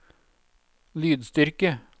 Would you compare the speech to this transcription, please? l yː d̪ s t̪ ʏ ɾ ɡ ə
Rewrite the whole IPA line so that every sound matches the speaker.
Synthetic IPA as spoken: l yː d̪ s t̪ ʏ ɾ k ə